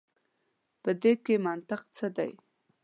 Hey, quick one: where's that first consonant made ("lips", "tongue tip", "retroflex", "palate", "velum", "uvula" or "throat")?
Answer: lips